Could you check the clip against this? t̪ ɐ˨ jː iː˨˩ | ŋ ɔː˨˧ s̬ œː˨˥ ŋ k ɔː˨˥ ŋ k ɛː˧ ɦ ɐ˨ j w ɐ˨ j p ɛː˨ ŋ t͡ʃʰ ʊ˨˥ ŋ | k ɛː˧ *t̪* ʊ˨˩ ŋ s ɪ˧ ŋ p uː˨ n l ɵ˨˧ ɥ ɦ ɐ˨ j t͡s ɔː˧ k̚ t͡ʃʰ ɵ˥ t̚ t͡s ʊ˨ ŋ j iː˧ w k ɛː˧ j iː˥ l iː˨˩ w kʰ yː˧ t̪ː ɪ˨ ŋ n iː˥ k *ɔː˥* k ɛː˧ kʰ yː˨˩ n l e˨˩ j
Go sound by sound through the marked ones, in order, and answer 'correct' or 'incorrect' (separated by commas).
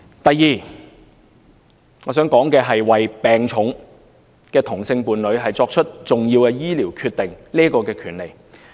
incorrect, incorrect